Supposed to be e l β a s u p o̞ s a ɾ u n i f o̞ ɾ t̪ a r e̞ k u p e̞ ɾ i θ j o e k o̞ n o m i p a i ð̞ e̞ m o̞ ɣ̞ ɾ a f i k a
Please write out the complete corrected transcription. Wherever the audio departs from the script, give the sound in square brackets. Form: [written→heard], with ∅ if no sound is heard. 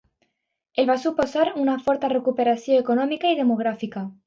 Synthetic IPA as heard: e l β a s u p o̞ s a ɾ u n [i→a] f o̞ ɾ t̪ a r e̞ k u p e̞ ɾ [i→a] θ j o e k o̞ n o m i [p→k] a i ð̞ e̞ m o̞ ɣ̞ ɾ a f i k a